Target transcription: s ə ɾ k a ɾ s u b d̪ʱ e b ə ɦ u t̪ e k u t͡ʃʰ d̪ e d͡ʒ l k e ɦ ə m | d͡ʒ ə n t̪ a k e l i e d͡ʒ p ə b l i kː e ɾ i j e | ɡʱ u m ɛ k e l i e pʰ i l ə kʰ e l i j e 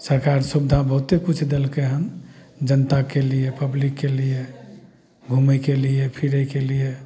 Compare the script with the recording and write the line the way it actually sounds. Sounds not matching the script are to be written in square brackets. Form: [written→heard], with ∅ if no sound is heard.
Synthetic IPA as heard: s ə ɾ k a ɾ s u b d̪ʱ [e→a] b ə ɦ u t̪ e k u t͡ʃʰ d̪ e [d͡ʒ→∅] l k e ɦ ə m | d͡ʒ ə n t̪ a k e l i e [d͡ʒ→∅] p ə b l i kː e [ɾ→l] i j e | ɡʱ u m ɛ k e l i e pʰ i [l→ɾ] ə [kʰ→k] e l i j e